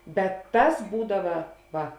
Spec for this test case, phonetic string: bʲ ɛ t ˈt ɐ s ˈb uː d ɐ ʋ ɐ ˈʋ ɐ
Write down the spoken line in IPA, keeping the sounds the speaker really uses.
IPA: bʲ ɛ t ˈt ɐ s ˈb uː d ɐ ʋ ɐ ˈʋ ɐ